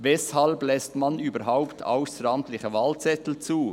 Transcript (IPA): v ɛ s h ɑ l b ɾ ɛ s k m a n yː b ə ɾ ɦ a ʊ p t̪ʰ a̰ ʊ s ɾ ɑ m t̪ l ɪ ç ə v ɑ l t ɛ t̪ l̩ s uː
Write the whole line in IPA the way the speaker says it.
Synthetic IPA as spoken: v ɛ s h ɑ l b l ɛ s t m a n yː b ə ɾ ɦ a ʊ p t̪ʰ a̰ ʊ s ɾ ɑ m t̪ l ɪ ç ə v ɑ l t͡s ɛ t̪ l̩ t͡s uː